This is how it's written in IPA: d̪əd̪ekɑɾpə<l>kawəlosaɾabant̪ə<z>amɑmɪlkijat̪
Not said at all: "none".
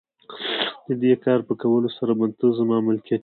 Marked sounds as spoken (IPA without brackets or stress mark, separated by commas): none, z